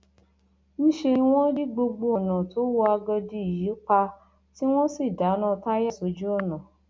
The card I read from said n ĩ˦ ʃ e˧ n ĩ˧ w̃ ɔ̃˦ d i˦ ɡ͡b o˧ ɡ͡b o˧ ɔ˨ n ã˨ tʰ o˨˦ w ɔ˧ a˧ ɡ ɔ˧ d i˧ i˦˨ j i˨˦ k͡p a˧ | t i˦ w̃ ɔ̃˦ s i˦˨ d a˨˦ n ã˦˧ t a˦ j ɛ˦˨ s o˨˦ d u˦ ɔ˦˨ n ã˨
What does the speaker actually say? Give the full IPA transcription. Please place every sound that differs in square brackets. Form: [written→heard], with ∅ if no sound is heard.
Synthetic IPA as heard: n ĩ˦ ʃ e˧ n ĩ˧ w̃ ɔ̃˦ d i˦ ɡ͡b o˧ ɡ͡b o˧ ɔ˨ n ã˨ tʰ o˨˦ w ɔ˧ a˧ ɡ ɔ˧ d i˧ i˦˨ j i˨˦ k͡p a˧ | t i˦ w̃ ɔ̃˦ s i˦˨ d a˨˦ n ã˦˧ t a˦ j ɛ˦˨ s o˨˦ [d→d͡ʒ] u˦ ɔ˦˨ n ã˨